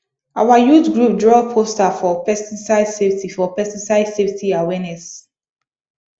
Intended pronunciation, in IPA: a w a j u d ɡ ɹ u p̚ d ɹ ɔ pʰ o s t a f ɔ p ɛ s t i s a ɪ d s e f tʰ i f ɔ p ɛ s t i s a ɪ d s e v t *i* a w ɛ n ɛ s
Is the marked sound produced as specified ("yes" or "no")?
yes